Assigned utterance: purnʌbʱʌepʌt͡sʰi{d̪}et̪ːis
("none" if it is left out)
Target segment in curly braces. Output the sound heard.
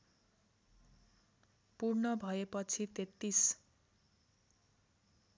t̪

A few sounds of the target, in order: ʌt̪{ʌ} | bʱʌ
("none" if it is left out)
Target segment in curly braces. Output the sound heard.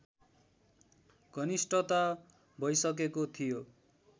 a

